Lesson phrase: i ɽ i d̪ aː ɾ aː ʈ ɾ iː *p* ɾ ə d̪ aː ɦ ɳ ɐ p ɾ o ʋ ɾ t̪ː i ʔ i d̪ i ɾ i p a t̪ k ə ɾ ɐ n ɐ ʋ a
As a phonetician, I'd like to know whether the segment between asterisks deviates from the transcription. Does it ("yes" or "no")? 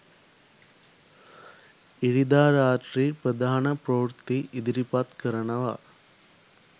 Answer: no